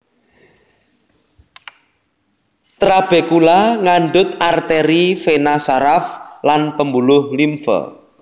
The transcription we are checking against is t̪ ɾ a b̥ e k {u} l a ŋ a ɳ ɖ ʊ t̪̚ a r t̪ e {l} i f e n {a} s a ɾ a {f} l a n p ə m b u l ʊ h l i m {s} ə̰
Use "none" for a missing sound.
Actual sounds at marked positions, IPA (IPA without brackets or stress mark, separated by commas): u, ɾ, a, f, f